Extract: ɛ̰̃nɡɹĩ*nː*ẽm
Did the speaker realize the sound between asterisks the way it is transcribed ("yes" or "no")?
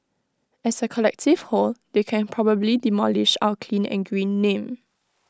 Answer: yes